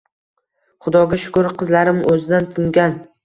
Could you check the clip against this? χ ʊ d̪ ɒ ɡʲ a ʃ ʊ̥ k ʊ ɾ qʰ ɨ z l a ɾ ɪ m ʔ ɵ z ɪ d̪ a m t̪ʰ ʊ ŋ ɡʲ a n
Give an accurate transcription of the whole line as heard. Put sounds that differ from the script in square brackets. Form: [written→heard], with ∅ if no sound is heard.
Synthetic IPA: χ ʊ d̪ ɒ ɡʲ a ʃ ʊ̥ k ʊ ɾ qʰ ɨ z l a ɾ ɪ m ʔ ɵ z ɪ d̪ a [m→n] t̪ʰ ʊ ŋ ɡʲ a n